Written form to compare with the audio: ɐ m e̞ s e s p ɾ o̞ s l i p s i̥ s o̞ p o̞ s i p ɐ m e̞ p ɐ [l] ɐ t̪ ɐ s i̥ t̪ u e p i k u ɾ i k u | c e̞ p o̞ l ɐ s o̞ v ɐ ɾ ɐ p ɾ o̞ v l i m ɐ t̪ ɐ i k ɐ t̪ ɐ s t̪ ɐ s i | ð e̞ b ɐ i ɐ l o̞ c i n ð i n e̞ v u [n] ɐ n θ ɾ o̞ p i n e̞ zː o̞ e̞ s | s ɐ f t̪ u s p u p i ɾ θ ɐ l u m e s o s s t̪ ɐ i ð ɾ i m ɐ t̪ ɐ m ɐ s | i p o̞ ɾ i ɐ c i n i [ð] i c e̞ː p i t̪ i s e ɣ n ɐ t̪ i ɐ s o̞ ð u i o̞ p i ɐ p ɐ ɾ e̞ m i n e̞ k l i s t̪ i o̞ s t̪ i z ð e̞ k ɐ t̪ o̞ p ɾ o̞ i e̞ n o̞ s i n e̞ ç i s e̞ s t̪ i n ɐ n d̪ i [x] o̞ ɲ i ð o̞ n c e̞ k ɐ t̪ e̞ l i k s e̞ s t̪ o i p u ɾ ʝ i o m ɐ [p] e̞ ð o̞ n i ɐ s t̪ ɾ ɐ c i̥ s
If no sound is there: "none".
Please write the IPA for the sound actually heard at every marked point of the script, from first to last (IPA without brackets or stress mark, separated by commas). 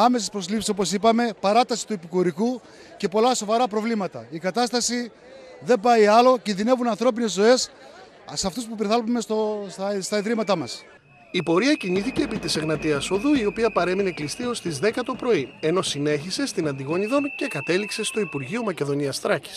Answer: ɾ, n, θ, ɣ, c